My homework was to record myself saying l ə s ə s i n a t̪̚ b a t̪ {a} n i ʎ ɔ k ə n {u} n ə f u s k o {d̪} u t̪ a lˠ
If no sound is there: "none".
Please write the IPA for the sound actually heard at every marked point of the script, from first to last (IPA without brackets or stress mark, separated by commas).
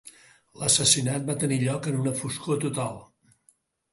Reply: ə, u, t̪